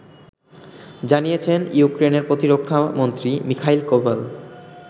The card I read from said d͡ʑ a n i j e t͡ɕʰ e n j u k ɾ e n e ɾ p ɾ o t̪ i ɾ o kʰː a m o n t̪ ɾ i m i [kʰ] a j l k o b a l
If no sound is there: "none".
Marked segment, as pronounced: kʰ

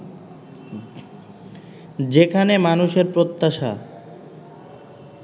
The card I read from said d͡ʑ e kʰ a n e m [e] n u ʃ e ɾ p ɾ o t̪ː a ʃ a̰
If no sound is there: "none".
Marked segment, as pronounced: a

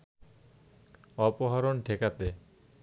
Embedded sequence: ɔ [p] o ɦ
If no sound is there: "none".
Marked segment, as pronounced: p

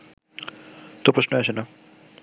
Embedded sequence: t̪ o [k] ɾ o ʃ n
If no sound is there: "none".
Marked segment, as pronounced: p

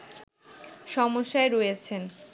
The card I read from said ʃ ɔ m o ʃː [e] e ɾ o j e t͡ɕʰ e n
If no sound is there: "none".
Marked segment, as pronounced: a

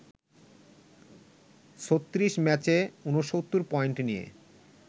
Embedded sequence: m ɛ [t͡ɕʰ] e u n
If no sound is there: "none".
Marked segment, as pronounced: t͡ɕ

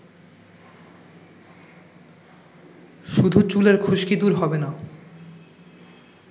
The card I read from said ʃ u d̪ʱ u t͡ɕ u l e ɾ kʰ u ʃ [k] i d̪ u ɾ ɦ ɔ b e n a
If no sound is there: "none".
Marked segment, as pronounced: k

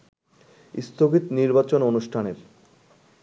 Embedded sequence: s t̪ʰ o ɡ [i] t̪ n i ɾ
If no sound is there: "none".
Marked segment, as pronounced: i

